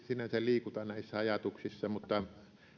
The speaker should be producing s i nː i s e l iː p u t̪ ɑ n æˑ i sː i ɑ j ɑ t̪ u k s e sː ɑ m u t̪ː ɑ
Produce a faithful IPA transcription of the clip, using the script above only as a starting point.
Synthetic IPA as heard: s i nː æ s e l iː k u t̪ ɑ n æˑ i sː æ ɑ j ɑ t̪ u k s i sː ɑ m u t̪ː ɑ